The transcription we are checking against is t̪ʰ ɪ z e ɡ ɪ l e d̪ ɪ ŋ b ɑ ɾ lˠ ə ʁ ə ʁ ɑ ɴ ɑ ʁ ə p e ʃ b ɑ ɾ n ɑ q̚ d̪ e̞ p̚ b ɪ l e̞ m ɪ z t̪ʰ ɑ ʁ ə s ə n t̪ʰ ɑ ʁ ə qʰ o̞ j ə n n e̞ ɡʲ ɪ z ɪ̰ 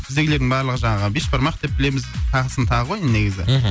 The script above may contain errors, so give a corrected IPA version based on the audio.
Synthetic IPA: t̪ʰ ɪ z e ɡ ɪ l e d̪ ɪ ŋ b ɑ ɾ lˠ ə ʁ ə ʒ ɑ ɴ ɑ ʁ ə b e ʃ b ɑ ɾ m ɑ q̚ d̪ e̞ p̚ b ɪ l e̞ m ɪ z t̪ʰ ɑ ʁ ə s ə n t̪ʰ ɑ ʁ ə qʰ o̞ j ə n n e̞ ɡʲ ɪ z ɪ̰